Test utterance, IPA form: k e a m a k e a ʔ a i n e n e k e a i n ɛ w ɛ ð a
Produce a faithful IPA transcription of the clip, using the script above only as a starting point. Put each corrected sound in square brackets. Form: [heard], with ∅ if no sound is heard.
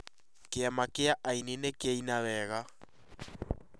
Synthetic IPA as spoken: k e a m a k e a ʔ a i n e n e k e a i n [a] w ɛ [ɣ] a